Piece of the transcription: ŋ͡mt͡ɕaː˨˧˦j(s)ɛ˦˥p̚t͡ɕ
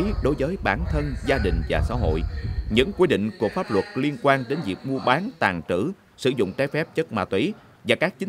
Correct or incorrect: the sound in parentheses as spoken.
incorrect: f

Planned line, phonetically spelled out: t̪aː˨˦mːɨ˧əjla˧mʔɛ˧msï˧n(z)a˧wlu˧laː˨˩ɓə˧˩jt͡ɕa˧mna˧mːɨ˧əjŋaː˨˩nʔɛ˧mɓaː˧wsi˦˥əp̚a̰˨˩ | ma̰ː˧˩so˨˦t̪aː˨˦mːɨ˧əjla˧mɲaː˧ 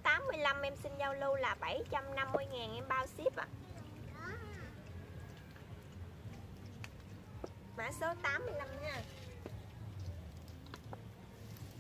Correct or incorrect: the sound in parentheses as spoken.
correct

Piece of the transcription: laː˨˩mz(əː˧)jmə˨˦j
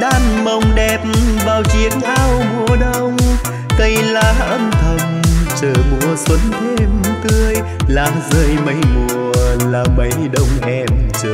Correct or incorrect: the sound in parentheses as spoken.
correct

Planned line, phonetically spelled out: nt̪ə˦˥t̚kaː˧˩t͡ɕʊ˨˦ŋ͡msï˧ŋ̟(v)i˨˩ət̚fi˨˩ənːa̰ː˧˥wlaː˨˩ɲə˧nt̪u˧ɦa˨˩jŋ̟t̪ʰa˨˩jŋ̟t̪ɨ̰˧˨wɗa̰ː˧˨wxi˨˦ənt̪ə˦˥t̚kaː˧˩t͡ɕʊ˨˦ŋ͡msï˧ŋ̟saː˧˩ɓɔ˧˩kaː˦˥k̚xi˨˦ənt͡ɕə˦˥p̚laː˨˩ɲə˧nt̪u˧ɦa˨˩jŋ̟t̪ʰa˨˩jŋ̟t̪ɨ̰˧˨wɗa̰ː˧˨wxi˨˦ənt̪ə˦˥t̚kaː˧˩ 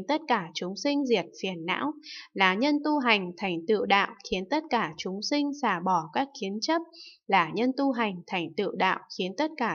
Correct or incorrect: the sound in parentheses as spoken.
incorrect: z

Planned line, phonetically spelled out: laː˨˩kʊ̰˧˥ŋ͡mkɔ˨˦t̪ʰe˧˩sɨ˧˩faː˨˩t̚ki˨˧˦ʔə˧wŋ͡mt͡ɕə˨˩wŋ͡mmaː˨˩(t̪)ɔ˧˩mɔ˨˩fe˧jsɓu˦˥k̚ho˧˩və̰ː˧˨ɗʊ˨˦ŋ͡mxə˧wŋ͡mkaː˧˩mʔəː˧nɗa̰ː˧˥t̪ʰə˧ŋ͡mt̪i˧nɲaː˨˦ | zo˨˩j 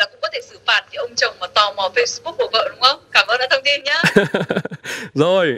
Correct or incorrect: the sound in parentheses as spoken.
correct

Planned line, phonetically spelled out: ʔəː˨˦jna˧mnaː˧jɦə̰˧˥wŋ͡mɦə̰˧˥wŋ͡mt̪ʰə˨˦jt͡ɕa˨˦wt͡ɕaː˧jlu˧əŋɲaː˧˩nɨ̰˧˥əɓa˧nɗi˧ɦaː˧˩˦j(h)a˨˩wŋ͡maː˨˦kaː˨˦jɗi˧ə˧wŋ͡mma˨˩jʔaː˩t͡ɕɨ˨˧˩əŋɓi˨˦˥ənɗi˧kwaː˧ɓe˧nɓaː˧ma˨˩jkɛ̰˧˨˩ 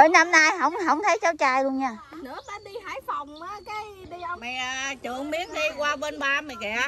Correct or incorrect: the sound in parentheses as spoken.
incorrect: f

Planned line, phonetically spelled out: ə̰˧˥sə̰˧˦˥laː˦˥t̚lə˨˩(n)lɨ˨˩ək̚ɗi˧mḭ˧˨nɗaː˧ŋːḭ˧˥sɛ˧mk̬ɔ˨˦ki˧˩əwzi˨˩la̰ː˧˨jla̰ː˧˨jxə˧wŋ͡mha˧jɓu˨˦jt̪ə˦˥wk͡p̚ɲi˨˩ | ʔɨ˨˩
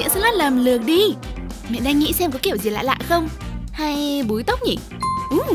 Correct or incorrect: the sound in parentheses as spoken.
incorrect: m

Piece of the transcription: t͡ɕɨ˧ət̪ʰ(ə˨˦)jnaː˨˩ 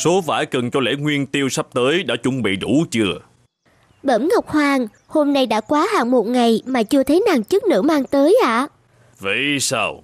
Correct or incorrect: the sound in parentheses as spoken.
correct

